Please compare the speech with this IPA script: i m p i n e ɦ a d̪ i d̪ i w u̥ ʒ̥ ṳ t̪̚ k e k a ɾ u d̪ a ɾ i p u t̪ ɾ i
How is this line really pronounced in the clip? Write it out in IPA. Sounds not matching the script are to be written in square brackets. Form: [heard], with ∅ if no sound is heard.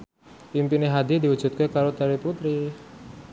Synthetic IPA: i m p i n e ɦ a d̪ i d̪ i w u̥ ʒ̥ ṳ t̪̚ k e k a ɾ [o] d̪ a ɾ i p u t̪ ɾ i